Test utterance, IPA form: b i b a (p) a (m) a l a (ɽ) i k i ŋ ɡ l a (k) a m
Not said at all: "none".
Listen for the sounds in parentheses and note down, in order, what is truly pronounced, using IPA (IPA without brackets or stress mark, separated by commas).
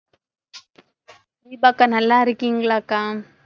k, n, ɾ, k